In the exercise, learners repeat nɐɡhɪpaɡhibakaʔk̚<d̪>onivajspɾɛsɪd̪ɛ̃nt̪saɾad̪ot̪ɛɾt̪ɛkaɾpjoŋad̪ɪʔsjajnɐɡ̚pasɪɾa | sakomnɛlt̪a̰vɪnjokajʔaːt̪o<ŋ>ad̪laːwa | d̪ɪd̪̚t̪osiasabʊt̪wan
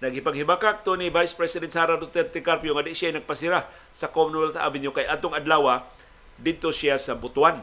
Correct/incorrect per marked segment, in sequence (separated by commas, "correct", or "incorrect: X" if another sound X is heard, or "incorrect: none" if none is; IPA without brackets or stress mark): incorrect: t̪, correct